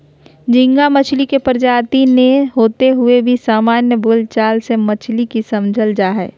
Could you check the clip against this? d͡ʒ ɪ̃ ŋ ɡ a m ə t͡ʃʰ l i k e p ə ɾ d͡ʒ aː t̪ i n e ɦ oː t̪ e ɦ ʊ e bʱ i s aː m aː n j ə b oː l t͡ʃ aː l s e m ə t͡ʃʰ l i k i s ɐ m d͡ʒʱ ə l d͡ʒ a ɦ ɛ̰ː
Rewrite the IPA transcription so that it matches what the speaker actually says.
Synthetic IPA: d͡ʒ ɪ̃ ŋ ɡ a m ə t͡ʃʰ l i k e p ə ɾ d͡ʒ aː t̪ i n e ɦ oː t̪ e ɦ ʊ e bʱ i s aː m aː n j ə b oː l t͡ʃ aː l s e m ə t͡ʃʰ l i k i s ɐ m d͡ʒʱ ə l d͡ʒ a ɦ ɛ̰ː